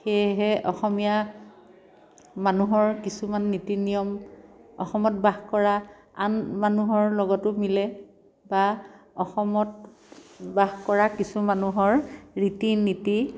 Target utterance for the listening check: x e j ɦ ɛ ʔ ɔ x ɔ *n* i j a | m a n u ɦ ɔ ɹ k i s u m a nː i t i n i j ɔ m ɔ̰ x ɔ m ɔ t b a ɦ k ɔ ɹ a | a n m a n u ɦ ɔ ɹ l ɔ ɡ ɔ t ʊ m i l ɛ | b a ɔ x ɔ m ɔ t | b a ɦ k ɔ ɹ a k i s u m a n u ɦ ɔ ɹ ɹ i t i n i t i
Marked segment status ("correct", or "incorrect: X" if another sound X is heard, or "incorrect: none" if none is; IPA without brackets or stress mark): incorrect: m